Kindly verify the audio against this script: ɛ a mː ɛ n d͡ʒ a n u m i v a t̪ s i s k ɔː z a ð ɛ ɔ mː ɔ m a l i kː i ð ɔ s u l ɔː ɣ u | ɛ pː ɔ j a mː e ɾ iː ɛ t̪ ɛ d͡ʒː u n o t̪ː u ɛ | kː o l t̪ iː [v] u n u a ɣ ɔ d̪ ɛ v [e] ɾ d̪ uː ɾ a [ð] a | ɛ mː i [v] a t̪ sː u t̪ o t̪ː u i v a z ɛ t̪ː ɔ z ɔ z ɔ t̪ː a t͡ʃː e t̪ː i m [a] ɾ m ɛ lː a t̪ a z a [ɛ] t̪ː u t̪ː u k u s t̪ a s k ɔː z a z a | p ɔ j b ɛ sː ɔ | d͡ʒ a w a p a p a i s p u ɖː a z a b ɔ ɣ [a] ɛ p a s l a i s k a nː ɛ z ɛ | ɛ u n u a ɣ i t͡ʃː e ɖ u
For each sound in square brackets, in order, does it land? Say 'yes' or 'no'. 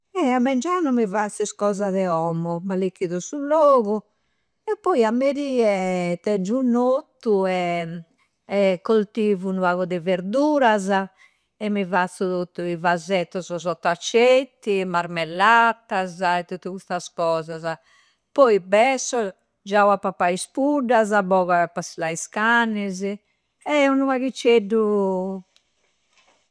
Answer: yes, yes, no, yes, yes, yes, yes

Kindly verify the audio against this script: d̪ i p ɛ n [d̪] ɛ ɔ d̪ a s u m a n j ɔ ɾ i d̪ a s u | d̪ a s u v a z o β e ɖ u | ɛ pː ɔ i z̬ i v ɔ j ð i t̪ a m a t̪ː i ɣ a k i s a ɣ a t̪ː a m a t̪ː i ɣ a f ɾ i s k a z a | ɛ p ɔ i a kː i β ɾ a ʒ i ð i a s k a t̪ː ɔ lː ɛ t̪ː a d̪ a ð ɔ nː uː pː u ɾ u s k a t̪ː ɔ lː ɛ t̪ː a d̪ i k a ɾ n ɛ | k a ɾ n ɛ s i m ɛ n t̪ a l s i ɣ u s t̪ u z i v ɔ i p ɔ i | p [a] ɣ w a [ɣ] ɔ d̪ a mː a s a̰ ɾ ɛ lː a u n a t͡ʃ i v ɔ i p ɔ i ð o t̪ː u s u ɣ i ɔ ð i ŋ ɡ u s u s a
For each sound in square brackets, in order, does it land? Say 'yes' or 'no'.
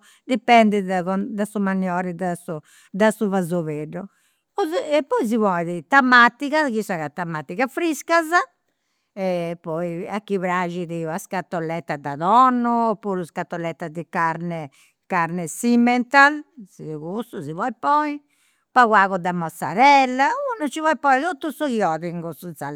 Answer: yes, yes, yes

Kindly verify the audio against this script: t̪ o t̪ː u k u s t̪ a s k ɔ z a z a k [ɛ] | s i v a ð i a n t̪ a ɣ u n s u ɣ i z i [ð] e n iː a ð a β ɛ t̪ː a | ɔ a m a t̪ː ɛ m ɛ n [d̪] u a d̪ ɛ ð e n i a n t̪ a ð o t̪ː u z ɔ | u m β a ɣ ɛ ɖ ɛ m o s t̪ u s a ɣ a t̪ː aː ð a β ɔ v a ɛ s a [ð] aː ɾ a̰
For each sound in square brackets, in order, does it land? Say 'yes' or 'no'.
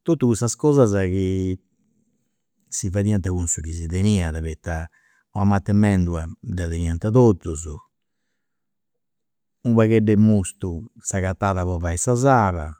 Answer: no, yes, yes, no

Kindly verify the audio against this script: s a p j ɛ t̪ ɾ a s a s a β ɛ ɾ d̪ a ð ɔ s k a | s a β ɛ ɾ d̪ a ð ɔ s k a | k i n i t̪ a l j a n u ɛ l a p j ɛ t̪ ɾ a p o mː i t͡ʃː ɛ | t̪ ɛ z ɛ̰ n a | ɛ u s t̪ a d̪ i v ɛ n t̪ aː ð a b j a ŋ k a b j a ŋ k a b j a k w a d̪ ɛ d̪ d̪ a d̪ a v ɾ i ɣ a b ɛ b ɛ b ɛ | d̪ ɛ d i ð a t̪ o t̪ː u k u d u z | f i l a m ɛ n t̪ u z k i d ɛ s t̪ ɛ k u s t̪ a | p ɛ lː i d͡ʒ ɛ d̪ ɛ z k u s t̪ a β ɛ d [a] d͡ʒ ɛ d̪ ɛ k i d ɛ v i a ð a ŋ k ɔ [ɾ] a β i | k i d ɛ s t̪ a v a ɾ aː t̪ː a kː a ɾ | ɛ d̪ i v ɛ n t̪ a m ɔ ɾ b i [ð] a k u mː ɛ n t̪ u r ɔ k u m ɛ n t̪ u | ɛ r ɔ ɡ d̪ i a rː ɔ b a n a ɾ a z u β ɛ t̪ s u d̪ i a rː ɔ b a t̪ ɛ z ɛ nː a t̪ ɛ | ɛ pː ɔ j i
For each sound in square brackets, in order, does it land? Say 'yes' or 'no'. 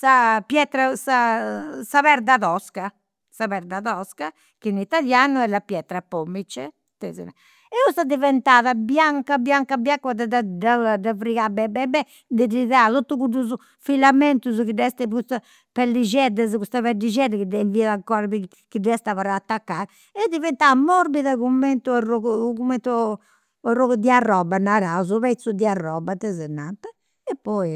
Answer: no, yes, yes

